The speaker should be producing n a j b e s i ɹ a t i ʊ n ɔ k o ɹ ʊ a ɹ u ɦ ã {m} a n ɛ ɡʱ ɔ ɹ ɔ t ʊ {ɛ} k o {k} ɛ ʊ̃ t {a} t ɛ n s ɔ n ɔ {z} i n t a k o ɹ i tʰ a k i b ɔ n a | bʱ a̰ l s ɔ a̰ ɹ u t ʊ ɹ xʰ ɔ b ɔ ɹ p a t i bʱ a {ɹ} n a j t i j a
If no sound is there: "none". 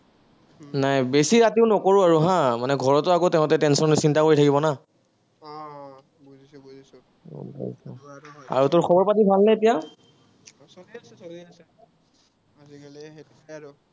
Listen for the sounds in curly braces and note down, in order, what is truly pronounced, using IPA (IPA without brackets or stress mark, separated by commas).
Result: m, a, t, ɛ, s, l